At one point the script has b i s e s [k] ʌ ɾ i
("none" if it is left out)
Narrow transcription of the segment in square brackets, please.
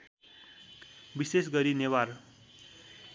ɡ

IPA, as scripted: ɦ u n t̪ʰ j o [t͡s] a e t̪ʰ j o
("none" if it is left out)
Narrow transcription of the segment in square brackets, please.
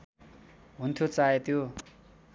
t͡s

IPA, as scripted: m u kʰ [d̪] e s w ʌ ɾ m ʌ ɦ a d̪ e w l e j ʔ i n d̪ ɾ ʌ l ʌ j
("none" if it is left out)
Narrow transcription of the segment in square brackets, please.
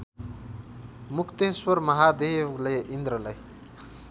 t̪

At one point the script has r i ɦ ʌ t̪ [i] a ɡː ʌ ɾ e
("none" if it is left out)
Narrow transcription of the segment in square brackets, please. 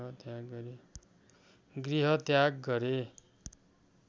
j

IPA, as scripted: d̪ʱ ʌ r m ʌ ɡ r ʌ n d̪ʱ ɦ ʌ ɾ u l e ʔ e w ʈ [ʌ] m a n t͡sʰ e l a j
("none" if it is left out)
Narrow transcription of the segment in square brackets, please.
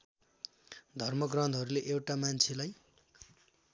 a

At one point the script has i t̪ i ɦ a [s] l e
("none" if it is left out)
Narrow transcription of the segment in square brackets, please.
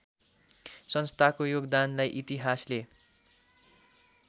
s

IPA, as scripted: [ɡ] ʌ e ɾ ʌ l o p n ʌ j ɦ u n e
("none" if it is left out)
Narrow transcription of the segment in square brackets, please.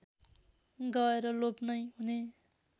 ɡ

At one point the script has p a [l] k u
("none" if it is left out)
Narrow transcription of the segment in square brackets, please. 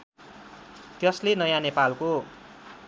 l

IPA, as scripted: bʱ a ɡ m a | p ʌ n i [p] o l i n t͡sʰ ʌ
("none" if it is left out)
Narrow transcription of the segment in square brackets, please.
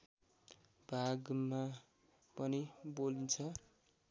b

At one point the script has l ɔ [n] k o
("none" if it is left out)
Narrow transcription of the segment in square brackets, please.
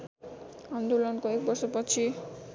n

